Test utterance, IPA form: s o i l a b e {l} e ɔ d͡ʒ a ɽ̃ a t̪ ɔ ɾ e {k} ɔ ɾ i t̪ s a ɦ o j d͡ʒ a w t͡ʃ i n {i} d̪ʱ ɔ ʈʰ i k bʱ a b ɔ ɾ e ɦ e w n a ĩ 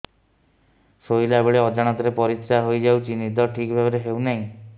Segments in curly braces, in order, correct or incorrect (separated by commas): incorrect, incorrect, correct